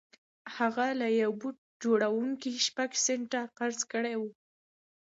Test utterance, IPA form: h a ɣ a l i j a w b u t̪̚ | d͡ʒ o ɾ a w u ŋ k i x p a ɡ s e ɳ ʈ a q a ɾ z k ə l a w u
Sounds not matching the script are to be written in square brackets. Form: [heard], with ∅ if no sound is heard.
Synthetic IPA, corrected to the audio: h a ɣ a l [a] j a w b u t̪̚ | d͡ʒ o [ɽ] a w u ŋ k i [ʃ] p a ɡ s e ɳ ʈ a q a ɾ z k ə [ɽ] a w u